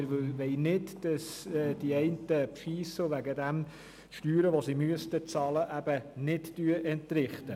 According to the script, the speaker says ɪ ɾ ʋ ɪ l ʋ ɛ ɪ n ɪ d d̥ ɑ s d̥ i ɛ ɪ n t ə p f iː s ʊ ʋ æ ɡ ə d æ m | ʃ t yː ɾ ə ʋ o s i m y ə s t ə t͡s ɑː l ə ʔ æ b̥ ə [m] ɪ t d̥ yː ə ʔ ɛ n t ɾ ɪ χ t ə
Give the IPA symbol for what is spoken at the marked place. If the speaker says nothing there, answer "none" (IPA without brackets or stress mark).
n